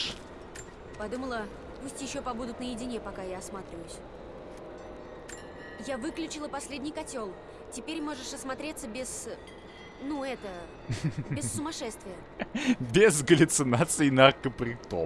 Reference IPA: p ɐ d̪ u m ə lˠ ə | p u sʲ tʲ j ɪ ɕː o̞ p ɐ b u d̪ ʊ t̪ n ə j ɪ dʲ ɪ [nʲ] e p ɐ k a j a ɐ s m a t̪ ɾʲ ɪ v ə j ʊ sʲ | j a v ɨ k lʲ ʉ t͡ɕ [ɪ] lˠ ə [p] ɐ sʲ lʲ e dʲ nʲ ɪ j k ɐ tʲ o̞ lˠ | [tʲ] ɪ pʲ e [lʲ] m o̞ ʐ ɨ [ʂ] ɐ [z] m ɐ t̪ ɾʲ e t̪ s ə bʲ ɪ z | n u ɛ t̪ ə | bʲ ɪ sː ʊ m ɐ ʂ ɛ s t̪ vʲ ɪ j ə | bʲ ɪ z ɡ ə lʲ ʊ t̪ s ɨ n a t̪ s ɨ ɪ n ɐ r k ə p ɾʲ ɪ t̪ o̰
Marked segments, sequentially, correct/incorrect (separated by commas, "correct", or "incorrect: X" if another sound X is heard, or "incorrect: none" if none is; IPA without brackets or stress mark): correct, correct, correct, correct, incorrect: ɾʲ, correct, incorrect: s